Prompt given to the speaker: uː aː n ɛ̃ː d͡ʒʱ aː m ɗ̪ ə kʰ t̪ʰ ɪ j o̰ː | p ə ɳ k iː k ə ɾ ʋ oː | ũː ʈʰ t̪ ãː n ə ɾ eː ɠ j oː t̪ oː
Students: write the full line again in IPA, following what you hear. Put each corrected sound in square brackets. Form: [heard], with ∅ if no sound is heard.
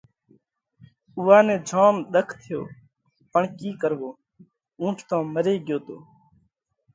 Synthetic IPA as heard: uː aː n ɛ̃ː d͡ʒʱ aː m ɗ̪ ə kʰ t̪ʰ ɪ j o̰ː | p ə ɳ k iː k ə ɾ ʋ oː | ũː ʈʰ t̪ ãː [m] ə ɾ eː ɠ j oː t̪ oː

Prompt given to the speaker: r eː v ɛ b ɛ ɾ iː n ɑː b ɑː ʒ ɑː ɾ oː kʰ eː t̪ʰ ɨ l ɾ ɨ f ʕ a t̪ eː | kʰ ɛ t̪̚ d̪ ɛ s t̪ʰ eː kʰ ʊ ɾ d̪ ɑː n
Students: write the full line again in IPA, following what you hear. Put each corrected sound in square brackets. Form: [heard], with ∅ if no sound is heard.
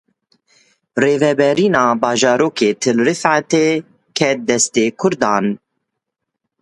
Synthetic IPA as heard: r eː v ɛ b ɛ ɾ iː n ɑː b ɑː ʒ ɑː ɾ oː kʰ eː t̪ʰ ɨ l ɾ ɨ f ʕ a t̪ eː | kʰ ɛ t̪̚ d̪ ɛ s [t̪] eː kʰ ʊ ɾ d̪ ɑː n

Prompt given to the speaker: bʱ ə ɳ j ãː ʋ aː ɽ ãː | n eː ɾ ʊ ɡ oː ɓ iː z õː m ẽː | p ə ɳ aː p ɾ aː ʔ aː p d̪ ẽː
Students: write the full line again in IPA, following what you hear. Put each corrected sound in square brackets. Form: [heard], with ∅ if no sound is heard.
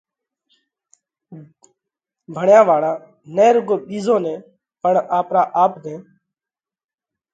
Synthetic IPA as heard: bʱ ə ɳ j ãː ʋ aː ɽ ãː | n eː ɾ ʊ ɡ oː ɓ iː z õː [n] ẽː | p ə ɳ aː p ɾ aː ʔ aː p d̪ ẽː

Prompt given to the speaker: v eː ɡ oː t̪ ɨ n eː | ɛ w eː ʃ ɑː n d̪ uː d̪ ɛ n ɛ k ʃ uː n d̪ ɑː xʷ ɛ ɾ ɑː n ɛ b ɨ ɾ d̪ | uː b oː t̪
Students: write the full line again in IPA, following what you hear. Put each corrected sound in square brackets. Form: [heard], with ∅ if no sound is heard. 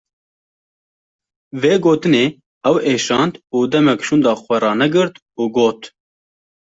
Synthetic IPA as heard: v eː ɡ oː t̪ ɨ n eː | ɛ w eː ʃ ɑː n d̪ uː d̪ ɛ [m] ɛ k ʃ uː n d̪ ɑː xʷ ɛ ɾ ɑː n ɛ [ɡ] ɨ ɾ [t̪] | uː [ɡ] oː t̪

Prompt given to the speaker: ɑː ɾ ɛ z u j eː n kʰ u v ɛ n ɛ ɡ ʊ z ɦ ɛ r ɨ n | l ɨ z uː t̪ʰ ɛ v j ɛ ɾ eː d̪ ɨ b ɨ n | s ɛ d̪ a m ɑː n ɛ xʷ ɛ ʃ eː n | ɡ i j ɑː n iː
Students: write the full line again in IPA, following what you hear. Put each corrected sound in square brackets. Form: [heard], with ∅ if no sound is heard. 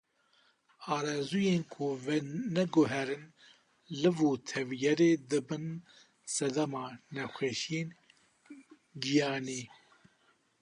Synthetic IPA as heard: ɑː ɾ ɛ z u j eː n kʰ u v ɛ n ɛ ɡ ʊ [∅] ɦ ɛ [ɾ] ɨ n | l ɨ [v] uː t̪ʰ ɛ v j ɛ ɾ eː d̪ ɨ b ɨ n | s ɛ d̪ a m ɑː n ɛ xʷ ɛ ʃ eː n | ɡ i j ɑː n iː

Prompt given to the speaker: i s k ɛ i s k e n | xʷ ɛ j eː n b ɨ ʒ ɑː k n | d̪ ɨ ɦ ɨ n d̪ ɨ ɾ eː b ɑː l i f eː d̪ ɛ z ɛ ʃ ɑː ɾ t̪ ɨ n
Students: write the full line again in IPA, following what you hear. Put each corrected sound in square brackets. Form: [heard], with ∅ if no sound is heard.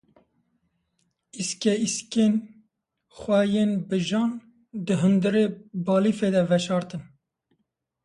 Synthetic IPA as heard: i s k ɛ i s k e n | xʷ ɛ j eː n b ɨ ʒ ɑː [∅] n | d̪ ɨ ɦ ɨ n d̪ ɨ ɾ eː b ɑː l i f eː d̪ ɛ [v] ɛ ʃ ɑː ɾ t̪ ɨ n

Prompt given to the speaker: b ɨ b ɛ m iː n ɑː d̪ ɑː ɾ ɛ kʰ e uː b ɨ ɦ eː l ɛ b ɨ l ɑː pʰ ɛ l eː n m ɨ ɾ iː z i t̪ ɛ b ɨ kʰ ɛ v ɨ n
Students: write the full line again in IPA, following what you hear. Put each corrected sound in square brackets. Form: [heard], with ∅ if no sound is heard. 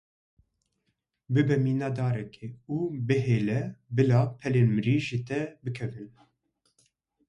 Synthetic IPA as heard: b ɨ b ɛ m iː n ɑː d̪ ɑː ɾ ɛ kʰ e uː b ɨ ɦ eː l ɛ b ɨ l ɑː pʰ ɛ l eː n m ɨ ɾ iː [ʒ] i t̪ ɛ b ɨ kʰ ɛ v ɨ n

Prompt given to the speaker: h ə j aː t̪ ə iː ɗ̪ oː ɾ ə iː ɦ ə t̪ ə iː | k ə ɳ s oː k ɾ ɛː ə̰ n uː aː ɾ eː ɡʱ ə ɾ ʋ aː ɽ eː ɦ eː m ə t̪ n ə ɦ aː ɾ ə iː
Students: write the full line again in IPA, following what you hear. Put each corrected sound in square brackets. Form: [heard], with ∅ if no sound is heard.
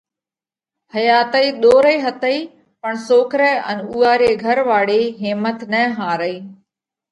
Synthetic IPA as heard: h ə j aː t̪ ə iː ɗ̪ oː ɾ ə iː ɦ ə t̪ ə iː | [p] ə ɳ s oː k ɾ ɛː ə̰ n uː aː ɾ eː ɡʱ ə ɾ ʋ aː ɽ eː ɦ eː m ə t̪ n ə ɦ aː ɾ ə iː

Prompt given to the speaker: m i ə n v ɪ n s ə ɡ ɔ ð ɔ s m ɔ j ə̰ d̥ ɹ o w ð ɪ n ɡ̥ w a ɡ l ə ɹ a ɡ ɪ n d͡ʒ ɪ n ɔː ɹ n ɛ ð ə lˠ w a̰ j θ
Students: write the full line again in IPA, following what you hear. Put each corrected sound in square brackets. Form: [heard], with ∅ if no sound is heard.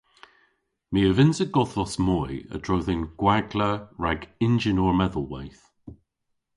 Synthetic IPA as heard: m i ə [∅] v ɪ n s ə ɡ ɔ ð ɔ s m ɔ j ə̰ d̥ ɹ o w ð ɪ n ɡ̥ w a ɡ l ə ɹ a ɡ ɪ n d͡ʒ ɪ n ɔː ɹ [m] ɛ ð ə lˠ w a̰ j θ

